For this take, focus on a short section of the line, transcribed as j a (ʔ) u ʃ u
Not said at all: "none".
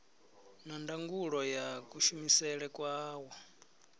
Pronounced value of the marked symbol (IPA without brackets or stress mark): k